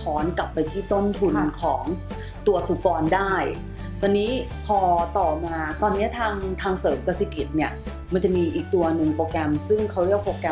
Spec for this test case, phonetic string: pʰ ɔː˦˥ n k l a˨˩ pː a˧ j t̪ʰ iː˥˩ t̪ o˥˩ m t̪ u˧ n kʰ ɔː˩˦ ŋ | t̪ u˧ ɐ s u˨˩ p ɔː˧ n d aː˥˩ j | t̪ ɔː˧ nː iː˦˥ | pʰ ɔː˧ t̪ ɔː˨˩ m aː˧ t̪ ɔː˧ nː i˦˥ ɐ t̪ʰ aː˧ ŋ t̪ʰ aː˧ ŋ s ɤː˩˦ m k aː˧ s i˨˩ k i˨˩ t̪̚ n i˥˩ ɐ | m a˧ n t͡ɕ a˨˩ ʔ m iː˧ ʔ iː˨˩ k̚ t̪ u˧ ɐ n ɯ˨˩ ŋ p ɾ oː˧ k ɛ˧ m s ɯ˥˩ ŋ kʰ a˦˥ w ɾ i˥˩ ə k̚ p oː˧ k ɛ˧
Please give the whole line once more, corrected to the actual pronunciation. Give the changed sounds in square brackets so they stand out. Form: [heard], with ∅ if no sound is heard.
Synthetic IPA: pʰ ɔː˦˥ n k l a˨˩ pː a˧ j t̪ʰ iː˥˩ t̪ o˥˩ m [t̪ʰ] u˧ n kʰ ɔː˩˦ ŋ | t̪ u˧ ɐ s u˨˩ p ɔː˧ n d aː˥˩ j | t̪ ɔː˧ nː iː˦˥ | pʰ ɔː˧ t̪ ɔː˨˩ m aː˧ t̪ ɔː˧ nː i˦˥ ɐ t̪ʰ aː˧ ŋ t̪ʰ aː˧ ŋ s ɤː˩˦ m k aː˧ s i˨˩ k i˨˩ t̪̚ n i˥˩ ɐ | m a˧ n t͡ɕ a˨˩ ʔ m iː˧ ʔ iː˨˩ k̚ t̪ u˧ ɐ n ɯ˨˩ ŋ p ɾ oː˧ k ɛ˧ m s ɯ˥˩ ŋ kʰ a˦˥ w ɾ i˥˩ ə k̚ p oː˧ k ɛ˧